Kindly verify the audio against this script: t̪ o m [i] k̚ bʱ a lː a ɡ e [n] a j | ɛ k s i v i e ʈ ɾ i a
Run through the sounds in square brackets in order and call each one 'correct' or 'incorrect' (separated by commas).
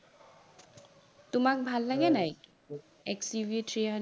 incorrect, correct